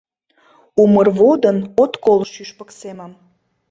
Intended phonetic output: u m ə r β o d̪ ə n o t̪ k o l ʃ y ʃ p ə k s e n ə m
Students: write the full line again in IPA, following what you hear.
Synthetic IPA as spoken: u m ə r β o d̪ ə n o t̪ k o l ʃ y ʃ p ə k s e m ə m